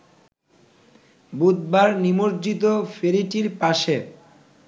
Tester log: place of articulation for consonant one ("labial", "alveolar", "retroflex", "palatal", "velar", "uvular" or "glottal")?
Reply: labial